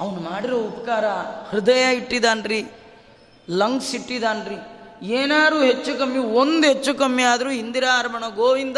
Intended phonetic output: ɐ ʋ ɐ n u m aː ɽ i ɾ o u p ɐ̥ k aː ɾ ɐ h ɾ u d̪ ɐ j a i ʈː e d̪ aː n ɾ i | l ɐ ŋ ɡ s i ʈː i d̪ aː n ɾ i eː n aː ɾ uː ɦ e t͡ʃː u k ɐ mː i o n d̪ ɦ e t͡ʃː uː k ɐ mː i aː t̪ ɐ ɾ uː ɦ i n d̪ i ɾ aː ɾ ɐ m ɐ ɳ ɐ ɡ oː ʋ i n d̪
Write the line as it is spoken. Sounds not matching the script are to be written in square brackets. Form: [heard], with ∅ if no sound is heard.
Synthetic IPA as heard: ɐ ʋ ɐ n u m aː ɽ i ɾ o u p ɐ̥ k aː ɾ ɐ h ɾ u d̪ ɐ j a i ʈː [i] d̪ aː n ɾ i | l ɐ ŋ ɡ s i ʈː i d̪ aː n ɾ i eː n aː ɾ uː ɦ e t͡ʃː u k ɐ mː i o n d̪ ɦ e t͡ʃː [u] k ɐ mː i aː [d̪] ɐ ɾ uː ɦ i n d̪ i ɾ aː ɾ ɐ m ɐ ɳ ɐ ɡ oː ʋ i n d̪